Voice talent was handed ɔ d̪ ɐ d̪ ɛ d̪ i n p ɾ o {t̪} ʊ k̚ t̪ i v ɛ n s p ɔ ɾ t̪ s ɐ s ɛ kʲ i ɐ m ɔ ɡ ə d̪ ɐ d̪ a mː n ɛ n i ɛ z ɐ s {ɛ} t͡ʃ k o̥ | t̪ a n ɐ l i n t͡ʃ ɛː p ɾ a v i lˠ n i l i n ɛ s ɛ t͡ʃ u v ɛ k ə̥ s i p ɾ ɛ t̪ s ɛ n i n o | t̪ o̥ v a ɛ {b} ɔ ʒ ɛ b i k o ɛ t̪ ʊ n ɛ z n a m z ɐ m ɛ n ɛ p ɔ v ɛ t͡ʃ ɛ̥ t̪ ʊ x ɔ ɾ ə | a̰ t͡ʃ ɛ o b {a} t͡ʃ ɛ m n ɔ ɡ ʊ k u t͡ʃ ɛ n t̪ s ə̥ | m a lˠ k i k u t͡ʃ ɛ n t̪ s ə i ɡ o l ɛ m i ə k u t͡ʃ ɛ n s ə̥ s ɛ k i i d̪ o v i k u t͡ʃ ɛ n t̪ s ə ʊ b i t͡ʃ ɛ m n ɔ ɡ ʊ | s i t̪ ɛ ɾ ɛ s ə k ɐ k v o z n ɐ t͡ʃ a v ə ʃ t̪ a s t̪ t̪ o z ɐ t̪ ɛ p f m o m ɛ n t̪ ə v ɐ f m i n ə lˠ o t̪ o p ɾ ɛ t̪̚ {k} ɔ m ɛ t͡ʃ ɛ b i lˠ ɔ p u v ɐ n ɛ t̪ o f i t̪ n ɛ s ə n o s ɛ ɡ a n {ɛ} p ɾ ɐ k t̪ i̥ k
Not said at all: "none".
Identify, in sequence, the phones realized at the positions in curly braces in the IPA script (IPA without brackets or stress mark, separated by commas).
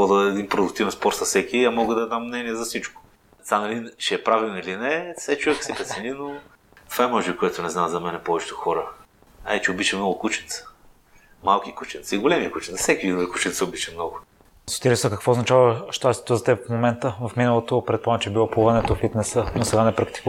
d̪, i, m, i, p, ɛ